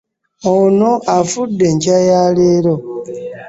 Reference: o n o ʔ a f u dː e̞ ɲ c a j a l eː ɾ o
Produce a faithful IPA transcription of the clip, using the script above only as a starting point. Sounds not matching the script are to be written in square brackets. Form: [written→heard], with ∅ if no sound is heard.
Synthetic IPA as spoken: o n o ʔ a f u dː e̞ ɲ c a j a l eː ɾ o

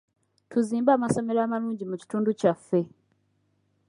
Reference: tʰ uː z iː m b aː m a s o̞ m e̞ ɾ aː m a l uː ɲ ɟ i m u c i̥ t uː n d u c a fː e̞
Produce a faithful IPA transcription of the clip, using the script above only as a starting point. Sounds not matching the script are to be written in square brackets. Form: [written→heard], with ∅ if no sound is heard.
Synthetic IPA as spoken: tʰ [uː→u] z iː m b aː m a s o̞ m e̞ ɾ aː m a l uː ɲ ɟ i m u c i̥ t uː n d u c a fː e̞

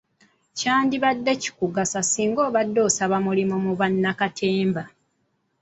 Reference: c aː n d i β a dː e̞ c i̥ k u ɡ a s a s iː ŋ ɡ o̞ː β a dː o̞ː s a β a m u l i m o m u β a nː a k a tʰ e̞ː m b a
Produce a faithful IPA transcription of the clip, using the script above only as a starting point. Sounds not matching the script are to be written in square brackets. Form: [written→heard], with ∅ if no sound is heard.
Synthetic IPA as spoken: c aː n d i β a dː e̞ c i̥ k u ɡ a s a s iː ŋ ɡ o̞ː β a dː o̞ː s a β a m u l i m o m u β a nː a k a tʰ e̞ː m b a

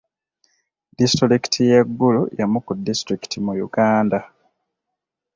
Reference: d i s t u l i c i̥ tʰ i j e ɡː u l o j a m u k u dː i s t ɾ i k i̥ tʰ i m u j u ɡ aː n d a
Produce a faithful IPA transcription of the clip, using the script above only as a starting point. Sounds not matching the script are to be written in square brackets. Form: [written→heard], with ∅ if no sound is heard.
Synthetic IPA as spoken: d i s t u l i [c→k] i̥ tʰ i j e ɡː u l [o→u] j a m u k u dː i s t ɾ i k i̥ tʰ i m u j u ɡ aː n d a

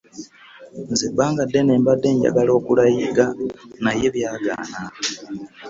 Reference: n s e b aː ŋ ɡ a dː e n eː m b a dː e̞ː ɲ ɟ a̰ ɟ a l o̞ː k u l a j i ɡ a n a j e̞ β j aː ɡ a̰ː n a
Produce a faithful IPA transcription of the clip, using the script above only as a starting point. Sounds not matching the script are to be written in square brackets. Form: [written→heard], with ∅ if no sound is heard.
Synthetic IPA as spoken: n [s→z] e b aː ŋ ɡ a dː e n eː m b a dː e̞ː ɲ ɟ a̰ [ɟ→ɡ] a l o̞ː k u l a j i ɡ a n a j e̞ β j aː ɡ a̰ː n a

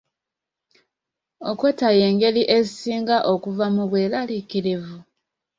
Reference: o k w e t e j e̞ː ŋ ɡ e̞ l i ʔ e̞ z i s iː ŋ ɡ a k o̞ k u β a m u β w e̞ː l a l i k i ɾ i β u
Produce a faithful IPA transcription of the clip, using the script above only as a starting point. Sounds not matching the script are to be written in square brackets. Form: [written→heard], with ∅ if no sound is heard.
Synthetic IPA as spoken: o k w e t [e→a] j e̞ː ŋ ɡ e̞ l i ʔ e̞ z i s iː ŋ ɡ a [k→ʔ] o̞ k u [β→v] a m u β w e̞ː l a l i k i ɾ i [β→v] u

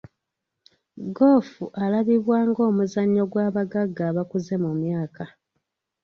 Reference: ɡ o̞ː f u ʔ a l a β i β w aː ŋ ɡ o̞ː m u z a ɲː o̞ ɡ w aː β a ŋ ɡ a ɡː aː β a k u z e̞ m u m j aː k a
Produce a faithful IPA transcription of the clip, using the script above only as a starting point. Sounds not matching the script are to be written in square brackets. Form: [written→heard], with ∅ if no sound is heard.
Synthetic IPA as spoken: ɡ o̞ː f u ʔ a l a β i β w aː ŋ ɡ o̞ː m u z a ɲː o̞ ɡ w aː β a [ŋ→∅] ɡ a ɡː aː β a k u z e̞ m u m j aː k a

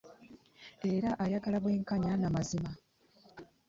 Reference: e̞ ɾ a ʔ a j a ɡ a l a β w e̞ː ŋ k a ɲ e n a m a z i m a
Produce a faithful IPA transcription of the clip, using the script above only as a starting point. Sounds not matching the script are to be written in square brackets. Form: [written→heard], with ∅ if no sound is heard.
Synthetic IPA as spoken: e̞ ɾ a ʔ a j a ɡ a l a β w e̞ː ŋ k a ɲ [e→a] n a m a z i m a

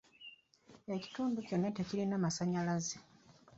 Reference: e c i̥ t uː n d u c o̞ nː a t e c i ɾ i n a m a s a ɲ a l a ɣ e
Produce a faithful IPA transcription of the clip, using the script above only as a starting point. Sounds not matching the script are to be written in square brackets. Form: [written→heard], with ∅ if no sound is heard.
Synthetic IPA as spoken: e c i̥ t uː n d u c o̞ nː a t e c i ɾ i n a m a s a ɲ a l a [ɣ→z] e

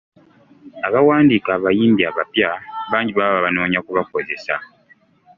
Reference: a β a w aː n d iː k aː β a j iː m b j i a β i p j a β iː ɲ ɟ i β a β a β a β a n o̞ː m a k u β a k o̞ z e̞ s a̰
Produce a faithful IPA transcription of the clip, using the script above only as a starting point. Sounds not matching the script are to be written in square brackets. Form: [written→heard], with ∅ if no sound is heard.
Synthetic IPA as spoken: a β a w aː n d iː k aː β a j iː m b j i a β [i→a] p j a β [iː→aː] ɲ ɟ i β a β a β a β a n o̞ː [m→ɲ] a k u β a k o̞ z e̞ s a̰

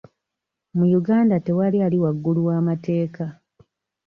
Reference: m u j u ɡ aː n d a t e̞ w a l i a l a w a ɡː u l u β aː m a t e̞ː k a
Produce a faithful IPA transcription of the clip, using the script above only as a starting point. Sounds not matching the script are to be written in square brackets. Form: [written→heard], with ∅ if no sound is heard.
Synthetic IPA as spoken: m u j u ɡ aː n d a t e̞ w a l i a l [a→i] w a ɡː u l u [β→w] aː m a t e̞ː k a

